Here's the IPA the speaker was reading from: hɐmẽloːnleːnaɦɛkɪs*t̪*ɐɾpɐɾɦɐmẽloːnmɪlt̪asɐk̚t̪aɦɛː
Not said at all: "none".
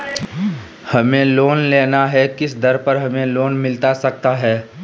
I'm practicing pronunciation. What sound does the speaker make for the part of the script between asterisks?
d̪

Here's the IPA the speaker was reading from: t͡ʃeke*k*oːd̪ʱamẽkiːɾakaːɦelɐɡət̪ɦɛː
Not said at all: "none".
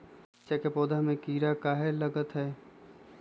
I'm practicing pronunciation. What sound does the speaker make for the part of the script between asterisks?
p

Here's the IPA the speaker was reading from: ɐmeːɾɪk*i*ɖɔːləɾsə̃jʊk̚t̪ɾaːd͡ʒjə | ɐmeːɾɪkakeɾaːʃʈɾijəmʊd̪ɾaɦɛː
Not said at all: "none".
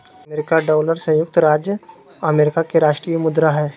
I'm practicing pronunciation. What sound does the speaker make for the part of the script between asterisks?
a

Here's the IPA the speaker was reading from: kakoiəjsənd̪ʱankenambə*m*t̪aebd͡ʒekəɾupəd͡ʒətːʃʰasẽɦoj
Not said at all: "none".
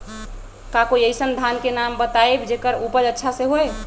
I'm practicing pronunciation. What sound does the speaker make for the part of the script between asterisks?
none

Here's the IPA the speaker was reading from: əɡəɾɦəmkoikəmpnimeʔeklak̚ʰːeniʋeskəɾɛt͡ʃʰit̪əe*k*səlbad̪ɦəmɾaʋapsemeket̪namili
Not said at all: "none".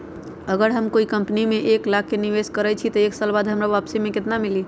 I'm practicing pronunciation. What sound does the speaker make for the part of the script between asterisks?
k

